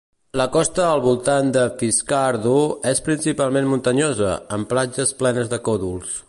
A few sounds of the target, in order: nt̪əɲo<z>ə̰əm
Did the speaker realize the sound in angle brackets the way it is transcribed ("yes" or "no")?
yes